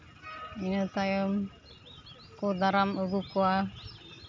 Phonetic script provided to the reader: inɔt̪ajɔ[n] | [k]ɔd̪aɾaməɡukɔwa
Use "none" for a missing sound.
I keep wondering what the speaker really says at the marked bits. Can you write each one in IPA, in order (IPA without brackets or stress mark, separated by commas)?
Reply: m, k